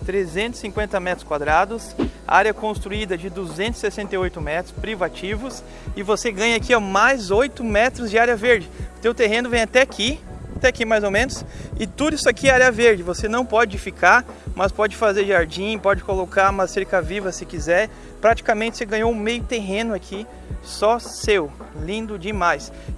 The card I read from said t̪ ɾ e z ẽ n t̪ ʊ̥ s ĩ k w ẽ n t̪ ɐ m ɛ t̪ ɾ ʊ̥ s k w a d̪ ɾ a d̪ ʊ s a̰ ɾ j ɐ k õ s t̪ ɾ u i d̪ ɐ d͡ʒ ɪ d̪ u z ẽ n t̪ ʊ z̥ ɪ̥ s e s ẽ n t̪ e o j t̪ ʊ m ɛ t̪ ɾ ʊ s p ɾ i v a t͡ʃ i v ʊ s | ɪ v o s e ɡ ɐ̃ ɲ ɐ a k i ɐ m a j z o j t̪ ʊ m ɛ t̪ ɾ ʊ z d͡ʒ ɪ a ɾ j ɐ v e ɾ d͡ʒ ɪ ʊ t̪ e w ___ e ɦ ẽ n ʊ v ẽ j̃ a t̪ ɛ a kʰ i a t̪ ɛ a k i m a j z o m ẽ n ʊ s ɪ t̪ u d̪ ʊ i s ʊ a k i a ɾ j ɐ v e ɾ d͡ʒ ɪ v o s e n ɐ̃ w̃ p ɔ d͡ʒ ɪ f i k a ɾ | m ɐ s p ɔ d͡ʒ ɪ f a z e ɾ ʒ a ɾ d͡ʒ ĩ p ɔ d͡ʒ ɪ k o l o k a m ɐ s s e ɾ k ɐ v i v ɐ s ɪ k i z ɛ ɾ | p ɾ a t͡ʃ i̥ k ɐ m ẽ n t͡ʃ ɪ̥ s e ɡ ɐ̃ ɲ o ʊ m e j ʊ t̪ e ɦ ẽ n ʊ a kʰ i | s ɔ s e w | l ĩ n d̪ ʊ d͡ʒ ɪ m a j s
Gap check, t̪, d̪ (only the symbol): t̪